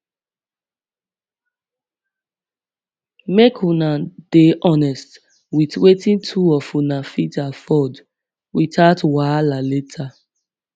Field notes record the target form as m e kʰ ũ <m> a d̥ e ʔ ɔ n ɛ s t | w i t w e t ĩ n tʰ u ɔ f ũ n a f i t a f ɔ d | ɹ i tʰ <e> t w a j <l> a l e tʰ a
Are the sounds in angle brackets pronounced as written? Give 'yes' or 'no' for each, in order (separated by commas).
no, no, yes